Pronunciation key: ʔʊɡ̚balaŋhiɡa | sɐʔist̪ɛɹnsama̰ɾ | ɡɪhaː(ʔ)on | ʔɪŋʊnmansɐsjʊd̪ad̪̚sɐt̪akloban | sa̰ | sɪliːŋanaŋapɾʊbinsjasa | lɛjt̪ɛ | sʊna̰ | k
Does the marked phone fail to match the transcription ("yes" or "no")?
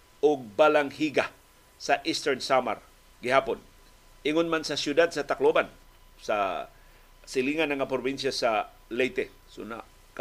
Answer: yes